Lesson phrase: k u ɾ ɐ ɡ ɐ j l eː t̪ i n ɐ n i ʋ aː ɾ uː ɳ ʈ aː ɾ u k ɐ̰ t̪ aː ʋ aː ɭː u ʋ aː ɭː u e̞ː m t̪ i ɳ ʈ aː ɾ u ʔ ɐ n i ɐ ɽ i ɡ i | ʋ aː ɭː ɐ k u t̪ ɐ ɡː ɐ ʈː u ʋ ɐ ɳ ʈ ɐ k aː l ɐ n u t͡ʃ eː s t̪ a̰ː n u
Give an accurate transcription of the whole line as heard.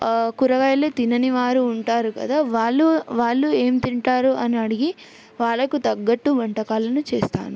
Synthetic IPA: k u ɾ ɐ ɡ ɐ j l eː t̪ i n ɐ n i ʋ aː ɾ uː ɳ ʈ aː ɾ u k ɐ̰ d̪ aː ʋ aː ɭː u ʋ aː ɭː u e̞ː m t̪ i ɳ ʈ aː ɾ u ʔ ɐ n i ɐ ɽ i ɡ i | ʋ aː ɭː ɐ k u t̪ ɐ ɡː ɐ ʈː u ʋ ɐ ɳ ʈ ɐ k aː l ɐ n u t͡ʃ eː s t̪ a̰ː n u